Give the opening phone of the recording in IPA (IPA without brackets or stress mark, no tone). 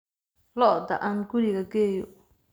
l